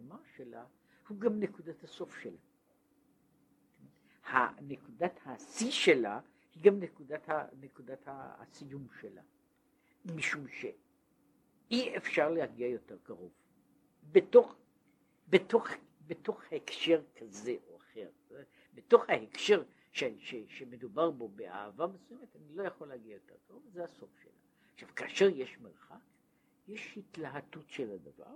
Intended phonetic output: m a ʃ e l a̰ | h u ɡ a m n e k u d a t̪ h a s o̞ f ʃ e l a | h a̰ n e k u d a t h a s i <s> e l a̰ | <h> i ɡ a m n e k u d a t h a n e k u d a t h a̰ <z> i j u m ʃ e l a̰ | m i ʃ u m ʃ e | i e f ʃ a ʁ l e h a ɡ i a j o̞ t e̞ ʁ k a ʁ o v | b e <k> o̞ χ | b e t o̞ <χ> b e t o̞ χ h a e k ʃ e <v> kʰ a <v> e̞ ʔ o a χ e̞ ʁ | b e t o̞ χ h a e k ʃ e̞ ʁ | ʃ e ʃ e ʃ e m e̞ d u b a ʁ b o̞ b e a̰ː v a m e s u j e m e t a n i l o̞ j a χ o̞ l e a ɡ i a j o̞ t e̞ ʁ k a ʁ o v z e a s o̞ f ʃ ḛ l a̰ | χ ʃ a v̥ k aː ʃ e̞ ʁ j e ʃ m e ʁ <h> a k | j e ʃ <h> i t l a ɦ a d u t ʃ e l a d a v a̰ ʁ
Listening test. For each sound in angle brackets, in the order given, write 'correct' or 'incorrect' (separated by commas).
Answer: incorrect, correct, incorrect, incorrect, correct, incorrect, incorrect, incorrect, correct